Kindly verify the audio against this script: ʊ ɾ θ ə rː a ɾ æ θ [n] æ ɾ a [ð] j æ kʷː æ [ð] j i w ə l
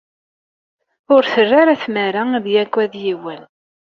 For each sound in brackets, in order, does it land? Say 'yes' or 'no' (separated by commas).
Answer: no, yes, yes